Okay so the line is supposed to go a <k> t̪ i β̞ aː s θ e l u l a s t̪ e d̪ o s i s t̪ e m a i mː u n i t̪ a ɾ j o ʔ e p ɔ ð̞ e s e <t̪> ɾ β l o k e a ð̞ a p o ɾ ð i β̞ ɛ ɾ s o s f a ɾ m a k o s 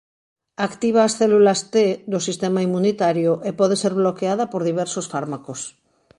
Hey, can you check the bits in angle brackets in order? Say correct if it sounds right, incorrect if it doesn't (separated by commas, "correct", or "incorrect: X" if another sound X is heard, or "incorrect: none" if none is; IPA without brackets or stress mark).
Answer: correct, incorrect: none